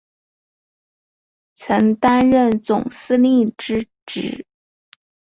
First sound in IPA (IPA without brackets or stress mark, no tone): t͡sʰ